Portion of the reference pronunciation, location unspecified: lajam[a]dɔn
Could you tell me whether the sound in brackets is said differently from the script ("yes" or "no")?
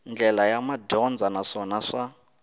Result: no